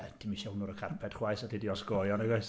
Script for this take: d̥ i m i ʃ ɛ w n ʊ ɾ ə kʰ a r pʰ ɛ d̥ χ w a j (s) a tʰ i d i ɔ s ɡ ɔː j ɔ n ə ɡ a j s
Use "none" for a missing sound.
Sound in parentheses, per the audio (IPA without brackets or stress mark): s